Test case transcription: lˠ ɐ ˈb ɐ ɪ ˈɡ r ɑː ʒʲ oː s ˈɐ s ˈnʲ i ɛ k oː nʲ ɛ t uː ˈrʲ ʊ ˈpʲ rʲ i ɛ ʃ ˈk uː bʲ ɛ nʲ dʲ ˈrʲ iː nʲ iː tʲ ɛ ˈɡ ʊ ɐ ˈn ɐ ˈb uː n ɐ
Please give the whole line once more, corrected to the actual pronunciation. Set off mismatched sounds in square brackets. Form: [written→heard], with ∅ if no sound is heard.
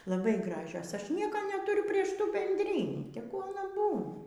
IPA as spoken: lˠ ɐ ˈb ɐ ɪ ˈɡ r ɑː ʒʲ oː s ˈɐ [s→ʃ] ˈnʲ i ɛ k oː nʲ ɛ t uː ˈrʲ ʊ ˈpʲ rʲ i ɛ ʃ [ˈk→ˈt] uː bʲ ɛ nʲ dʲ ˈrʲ iː nʲ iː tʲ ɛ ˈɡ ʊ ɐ ˈn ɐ ˈb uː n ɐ